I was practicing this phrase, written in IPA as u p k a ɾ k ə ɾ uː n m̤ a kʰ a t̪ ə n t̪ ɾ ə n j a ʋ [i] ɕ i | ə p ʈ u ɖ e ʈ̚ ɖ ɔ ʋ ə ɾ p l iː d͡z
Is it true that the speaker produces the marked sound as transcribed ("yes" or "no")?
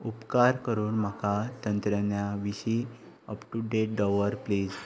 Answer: yes